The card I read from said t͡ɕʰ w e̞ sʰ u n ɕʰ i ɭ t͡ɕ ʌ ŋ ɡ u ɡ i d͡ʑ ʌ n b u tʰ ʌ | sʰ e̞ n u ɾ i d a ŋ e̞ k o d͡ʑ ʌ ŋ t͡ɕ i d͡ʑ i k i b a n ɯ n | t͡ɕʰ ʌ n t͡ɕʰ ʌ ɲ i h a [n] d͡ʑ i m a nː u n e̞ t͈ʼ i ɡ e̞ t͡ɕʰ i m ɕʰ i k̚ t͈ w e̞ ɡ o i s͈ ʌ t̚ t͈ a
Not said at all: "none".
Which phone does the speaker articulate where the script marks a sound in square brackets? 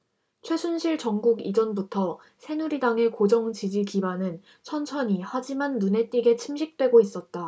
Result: none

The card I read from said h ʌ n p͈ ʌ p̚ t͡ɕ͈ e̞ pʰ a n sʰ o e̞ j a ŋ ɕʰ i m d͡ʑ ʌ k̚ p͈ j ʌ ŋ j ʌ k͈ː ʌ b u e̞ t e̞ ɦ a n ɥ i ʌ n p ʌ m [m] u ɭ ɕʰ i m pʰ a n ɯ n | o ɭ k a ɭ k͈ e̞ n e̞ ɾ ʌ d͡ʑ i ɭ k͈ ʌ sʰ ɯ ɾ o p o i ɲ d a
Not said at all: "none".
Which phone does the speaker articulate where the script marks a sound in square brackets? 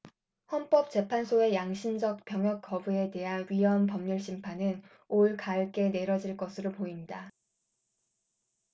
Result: ɲ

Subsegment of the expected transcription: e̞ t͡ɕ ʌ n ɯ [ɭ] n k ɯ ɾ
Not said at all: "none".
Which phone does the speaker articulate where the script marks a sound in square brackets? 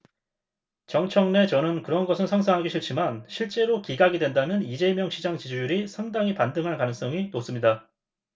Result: none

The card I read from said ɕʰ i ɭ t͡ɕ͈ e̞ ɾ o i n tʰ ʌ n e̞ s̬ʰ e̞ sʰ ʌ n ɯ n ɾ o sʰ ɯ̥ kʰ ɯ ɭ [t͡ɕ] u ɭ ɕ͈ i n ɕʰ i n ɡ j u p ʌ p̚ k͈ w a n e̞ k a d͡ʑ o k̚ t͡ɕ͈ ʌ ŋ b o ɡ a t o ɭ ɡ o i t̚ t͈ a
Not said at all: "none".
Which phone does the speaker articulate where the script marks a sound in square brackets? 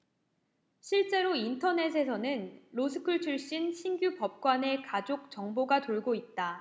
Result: t͡ɕʰ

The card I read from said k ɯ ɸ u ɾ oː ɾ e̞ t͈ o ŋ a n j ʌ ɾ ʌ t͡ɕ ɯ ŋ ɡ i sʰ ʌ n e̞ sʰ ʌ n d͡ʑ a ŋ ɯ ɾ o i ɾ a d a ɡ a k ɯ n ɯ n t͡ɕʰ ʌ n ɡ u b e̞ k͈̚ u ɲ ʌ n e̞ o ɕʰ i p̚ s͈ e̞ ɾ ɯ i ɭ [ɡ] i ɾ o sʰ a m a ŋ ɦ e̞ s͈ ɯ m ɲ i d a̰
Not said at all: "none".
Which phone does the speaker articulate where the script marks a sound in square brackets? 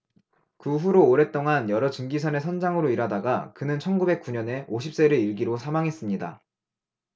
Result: ɡ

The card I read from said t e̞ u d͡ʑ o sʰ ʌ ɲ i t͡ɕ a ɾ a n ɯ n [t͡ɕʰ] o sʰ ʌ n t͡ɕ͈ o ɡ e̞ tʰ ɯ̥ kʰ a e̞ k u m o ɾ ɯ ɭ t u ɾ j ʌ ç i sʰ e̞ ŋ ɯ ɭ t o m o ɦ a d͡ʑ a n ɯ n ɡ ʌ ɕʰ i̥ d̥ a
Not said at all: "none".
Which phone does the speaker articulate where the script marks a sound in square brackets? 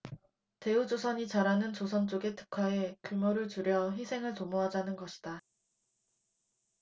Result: t͡ɕ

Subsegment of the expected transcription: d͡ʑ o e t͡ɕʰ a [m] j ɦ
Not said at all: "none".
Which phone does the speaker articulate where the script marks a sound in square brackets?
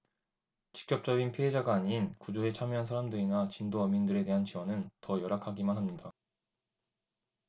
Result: m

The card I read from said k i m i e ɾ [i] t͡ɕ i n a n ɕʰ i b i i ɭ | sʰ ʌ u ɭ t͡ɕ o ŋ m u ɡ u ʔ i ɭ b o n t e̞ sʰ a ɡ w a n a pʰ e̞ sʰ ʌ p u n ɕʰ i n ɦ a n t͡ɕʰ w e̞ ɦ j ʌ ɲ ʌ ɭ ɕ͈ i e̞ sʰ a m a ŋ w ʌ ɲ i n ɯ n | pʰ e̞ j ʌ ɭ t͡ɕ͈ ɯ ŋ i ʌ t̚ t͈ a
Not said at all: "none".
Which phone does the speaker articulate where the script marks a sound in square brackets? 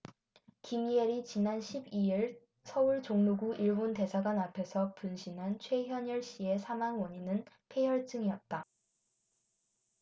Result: i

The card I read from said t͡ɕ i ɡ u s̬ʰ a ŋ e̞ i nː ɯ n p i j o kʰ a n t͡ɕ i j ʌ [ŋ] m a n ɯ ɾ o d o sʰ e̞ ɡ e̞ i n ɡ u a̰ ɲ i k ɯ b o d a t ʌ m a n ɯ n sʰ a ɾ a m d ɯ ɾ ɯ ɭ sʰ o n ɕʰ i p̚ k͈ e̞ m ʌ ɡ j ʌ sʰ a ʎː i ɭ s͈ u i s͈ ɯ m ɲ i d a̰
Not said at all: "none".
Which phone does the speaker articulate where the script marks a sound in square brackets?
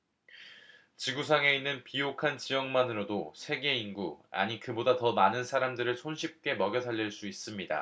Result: ŋ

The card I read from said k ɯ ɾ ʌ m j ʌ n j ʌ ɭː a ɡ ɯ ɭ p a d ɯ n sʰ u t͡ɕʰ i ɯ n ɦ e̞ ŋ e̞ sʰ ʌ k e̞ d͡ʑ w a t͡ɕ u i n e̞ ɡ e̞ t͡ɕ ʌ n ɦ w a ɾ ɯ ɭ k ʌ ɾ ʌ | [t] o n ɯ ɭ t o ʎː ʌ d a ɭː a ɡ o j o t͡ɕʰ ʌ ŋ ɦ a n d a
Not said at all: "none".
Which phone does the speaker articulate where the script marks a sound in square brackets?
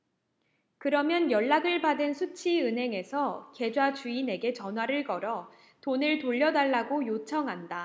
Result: t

